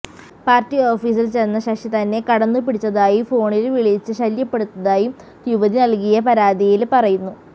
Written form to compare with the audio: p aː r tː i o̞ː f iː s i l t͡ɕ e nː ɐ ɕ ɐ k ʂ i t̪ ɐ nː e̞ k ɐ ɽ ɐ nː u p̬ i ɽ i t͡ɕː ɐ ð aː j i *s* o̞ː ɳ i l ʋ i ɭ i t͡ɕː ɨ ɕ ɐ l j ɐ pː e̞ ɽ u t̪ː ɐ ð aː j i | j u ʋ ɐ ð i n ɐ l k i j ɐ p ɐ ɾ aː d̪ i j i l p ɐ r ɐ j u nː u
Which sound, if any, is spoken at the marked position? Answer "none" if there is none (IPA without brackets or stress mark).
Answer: f